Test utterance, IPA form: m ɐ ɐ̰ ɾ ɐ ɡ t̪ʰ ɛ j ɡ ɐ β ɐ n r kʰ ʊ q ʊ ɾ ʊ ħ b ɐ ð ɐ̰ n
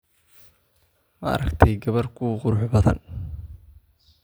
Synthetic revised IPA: m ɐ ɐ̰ ɾ ɐ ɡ t̪ʰ ɛ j ɡ ɐ β ɐ r kʰ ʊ q ʊ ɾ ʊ ħ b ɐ ð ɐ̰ n